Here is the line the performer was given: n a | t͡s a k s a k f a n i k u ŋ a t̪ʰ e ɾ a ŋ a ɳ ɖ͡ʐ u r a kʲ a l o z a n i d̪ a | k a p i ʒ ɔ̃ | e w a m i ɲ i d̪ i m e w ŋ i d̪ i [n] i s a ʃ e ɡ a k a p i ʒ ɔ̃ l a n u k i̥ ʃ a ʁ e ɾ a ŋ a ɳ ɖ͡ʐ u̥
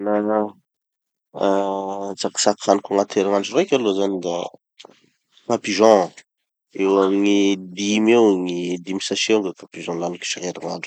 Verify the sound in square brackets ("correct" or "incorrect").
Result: incorrect